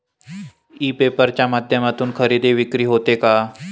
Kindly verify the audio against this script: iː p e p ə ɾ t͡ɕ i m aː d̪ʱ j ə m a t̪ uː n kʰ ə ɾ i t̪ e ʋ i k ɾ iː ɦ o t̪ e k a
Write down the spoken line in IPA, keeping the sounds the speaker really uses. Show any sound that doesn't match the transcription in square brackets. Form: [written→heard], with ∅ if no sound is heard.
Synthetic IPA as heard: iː p e p ə ɾ t͡ɕ [i→a] m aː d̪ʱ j ə m a t̪ uː n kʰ ə ɾ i [t̪→d̪] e ʋ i k ɾ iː ɦ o t̪ e k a